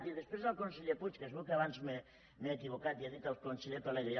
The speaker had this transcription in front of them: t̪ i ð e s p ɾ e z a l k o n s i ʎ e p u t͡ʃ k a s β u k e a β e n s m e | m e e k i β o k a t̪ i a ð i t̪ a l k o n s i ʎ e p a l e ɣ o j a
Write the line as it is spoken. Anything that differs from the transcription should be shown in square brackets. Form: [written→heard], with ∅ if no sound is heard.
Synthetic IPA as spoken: t̪ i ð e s p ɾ e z a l k o n s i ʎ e p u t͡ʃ k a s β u k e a β [e→a] n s m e | m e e k i β o k a t̪ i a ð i t̪ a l k o n s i ʎ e p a l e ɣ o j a